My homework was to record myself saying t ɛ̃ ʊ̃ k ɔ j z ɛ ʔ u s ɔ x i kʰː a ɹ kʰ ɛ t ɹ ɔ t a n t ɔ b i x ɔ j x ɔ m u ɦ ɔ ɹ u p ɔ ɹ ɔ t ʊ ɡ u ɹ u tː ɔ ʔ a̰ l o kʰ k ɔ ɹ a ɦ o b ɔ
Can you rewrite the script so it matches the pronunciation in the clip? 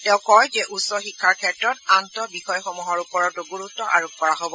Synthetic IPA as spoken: t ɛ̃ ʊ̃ k ɔ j z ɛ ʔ u s ɔ x i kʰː a ɹ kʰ ɛ t ɹ ɔ t a n t ɔ b i x ɔ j x ɔ m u ɦ ɔ ɹ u p ɔ ɹ ɔ t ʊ ɡ u ɹ u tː ɔ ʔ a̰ ɹ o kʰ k ɔ ɹ a ɦ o b ɔ